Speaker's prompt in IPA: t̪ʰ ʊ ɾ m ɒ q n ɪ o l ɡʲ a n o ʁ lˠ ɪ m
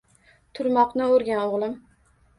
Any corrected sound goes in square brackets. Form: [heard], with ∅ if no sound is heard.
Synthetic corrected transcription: t̪ʰ ʊ ɾ m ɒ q n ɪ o [ɾ] ɡʲ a n o ʁ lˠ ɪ m